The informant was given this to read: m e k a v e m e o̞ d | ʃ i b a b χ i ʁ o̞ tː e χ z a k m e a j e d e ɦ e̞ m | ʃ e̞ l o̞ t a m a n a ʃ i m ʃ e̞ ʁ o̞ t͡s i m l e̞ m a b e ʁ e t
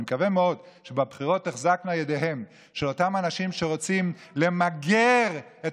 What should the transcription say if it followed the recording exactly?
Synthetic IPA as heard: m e k a v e m e o̞ d | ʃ e b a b χ i ʁ o̞ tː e χ z a k m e a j e d e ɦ e̞ m | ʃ e̞ l o̞ t a m a n a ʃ i m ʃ e̞ ʁ o̞ t͡s i m l e̞ m a ɡ e ʁ e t